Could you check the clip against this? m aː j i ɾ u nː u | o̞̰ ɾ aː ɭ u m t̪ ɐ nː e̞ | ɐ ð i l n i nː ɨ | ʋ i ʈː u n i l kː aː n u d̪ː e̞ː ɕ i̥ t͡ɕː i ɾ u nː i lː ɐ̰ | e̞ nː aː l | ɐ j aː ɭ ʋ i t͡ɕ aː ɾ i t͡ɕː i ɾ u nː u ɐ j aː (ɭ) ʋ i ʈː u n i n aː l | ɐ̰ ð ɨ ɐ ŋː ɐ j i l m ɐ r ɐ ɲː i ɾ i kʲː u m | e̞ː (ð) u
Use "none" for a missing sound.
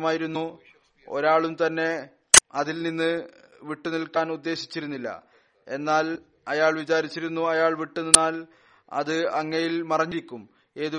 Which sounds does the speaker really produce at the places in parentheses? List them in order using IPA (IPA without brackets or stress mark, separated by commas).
ɭ, ð